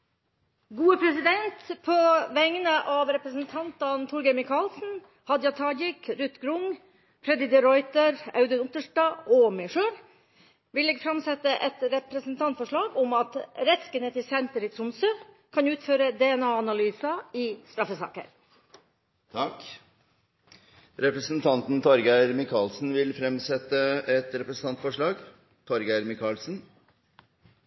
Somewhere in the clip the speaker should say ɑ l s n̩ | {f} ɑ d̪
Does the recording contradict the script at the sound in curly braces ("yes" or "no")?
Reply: yes